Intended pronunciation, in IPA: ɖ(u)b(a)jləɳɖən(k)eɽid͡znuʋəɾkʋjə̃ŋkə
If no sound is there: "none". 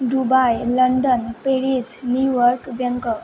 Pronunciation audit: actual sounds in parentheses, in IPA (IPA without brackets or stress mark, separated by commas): u, a, p